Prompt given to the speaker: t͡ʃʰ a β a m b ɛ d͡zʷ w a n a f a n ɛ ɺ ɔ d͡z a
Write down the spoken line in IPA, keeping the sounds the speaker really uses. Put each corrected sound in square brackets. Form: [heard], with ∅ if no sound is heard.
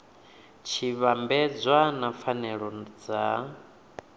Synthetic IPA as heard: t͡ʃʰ [i] β a m b ɛ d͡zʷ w a n a f a n ɛ ɺ ɔ d͡z a

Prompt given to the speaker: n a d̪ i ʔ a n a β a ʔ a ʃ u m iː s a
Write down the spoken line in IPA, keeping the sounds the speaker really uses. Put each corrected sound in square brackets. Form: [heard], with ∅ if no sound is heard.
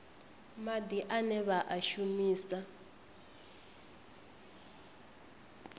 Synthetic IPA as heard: [m] a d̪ i ʔ a n [ɛ] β a ʔ a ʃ u m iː s a

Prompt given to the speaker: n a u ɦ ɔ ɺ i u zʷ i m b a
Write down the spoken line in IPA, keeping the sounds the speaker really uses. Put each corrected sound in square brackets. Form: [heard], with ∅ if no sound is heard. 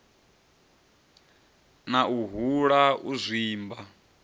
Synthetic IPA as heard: n a u ɦ [u] ɺ [a] u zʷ [iː] m b a

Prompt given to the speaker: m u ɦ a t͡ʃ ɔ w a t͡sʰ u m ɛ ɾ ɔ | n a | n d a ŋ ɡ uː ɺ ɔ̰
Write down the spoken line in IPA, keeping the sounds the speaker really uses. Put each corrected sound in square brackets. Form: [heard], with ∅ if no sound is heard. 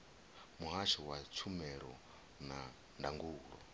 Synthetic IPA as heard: m u ɦ a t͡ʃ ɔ w a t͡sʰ u m ɛ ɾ ɔ | n a | n d a ŋ ɡ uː ɺ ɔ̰

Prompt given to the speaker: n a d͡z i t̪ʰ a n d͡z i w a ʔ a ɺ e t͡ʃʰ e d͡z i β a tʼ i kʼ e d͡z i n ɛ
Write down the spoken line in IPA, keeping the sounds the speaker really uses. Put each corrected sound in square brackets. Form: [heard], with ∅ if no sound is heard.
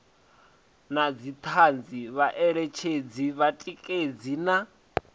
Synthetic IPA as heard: n a d͡z i t̪ʰ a n d͡z i [β] a ʔ [ɛ] ɺ [ɛ] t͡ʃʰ e d͡z i β a tʼ i kʼ e d͡z i n [a]

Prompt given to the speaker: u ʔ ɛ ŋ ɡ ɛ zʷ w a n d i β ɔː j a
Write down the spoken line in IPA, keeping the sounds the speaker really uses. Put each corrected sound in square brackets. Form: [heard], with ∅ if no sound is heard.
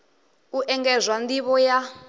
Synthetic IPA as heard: u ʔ ɛ ŋ ɡ ɛ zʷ w a n d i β [ɔ] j a

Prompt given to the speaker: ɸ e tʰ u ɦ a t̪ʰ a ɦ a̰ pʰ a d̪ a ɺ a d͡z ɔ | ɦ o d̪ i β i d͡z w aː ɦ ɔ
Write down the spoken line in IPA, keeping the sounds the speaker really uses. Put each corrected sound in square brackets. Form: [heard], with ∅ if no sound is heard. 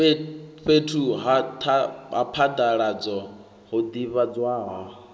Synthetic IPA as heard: ɸ e tʰ u ɦ a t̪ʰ a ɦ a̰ pʰ a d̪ a ɺ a d͡z ɔ | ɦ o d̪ i β [a] d͡z w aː ɦ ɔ

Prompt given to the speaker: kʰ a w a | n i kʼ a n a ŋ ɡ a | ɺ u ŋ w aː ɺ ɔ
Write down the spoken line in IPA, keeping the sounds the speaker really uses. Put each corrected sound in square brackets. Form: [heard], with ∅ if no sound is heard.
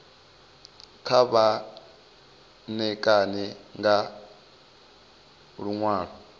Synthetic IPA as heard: kʰ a [β] a | n [ɛ] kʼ a n [ɛ] ŋ ɡ a | ɺ u ŋ w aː ɺ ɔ

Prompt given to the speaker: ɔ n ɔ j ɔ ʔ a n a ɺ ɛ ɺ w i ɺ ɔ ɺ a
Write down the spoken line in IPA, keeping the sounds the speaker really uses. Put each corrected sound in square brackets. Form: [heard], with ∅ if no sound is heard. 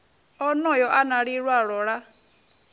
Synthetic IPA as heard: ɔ n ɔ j ɔ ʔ a n a ɺ [i] ɺ w [a] ɺ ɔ ɺ a

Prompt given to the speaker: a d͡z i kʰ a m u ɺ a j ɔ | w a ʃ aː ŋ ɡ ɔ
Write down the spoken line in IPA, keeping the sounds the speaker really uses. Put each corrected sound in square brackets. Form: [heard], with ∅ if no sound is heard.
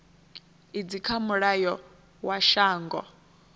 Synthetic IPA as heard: [i] d͡z i kʰ a m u ɺ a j ɔ | w a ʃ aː ŋ ɡ ɔ

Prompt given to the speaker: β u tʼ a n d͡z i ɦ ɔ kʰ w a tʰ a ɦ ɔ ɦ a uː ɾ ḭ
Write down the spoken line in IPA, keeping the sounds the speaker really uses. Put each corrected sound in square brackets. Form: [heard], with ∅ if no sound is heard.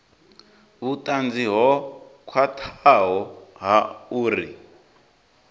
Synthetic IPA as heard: β u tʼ a n d͡z i ɦ ɔ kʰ w a tʰ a ɦ ɔ ɦ a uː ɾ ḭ

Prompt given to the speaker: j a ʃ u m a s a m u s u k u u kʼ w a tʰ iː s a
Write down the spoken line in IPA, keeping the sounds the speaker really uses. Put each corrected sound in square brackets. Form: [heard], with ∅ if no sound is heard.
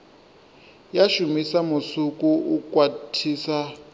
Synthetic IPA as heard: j a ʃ u m [i] s a m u s u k u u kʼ w a tʰ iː s a

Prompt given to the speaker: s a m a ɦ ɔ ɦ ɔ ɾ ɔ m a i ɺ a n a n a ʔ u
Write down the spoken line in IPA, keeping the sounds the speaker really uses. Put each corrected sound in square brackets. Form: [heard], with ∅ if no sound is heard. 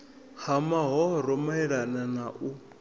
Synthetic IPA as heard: [h] a m a ɦ ɔ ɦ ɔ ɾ ɔ m a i ɺ a n a n a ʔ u

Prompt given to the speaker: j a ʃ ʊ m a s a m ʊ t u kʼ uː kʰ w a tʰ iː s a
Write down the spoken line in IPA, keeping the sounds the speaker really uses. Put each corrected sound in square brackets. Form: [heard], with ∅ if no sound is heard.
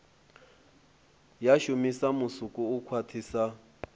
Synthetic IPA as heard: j a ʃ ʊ m [i] s a m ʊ [s] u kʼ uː kʰ w a tʰ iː s a

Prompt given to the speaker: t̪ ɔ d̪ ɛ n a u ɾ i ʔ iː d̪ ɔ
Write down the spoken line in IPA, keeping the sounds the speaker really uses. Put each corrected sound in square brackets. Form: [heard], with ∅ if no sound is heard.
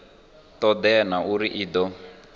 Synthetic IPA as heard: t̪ ɔ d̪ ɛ n a u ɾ i ʔ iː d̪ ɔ

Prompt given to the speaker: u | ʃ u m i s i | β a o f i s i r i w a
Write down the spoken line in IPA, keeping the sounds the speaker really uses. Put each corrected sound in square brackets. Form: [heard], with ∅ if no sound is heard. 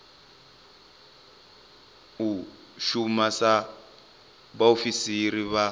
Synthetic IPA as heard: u | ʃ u m [a] s [a] | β a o f i s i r i [β] a

